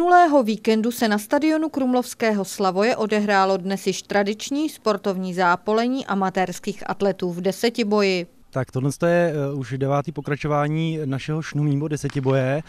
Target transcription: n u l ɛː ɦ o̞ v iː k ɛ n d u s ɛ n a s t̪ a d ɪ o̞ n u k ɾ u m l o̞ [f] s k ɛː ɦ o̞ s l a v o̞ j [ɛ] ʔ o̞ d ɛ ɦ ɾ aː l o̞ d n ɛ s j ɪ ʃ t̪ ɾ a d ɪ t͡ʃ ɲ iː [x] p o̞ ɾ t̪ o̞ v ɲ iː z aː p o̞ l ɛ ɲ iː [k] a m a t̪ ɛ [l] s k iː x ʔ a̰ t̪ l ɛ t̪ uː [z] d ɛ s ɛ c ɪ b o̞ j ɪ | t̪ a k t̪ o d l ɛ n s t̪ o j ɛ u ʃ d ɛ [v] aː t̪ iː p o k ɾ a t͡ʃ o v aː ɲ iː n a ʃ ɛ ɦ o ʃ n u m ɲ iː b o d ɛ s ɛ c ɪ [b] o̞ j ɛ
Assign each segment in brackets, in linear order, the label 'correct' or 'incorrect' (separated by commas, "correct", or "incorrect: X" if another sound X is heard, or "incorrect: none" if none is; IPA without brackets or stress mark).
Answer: correct, correct, incorrect: s, incorrect: ʔ, incorrect: ɾ, incorrect: v, correct, correct